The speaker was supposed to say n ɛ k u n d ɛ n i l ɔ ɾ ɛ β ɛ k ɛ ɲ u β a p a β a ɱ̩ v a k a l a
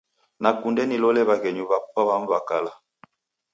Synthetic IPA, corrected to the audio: n a k u n d ɛ n i l ɔ l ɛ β a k ɛ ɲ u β a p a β a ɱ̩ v a k a l a